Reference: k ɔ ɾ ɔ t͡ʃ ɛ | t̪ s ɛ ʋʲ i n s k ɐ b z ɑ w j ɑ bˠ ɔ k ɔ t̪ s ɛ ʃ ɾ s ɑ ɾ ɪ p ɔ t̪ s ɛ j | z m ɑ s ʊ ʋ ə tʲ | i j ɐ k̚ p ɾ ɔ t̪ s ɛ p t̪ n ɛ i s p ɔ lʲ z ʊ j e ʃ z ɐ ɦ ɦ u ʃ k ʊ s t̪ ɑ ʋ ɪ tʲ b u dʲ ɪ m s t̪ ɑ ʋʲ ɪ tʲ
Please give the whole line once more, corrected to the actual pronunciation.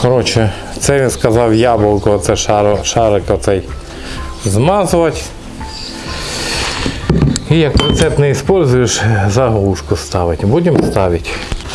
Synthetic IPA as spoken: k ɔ ɾ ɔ t͡ʃ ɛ | t̪ s ɛ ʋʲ i n s k ɐ z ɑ w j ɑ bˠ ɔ k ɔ t̪ s ɛ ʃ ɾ ʃ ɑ ɾ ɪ k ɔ t̪ s ɛ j | z m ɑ z ʊ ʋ ɐ tʲ | i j ɐ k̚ p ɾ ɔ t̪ s ɛ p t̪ n ɛ i s p ɔ lʲ z ʊ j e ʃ z ɐ ɦ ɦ u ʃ k ʊ s t̪ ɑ ʋ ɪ tʲ b u dʲ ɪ m s t̪ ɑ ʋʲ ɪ tʲ

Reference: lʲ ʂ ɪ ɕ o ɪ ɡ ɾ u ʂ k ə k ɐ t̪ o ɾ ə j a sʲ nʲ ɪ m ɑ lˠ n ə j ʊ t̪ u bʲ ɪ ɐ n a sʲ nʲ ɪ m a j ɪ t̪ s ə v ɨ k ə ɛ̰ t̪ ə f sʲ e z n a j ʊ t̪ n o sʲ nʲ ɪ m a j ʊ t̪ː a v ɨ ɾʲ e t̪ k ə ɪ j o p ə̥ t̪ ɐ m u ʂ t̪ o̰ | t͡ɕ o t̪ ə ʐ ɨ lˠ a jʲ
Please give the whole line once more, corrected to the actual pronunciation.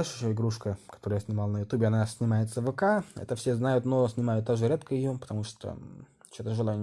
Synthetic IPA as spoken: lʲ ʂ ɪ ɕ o ɪ ɡ ɾ u ʂ k ə k ɐ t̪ o ɾ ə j a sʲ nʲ ɪ m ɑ lˠ n ə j ʊ t̪ u bʲ ɪ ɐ n a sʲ nʲ ɪ m a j ɪ t̪ s ə v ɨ k a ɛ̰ t̪ ə f sʲ e z n a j ʊ t̪ n o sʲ nʲ ɪ m a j ʊ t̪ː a ʐ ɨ ɾʲ e t̪ k ə ɪ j o p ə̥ t̪ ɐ m u ʂ t̪ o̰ | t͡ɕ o t̪ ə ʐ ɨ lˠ a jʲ

